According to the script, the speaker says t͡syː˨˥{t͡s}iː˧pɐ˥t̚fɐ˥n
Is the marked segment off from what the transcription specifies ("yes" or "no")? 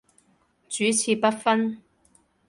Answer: yes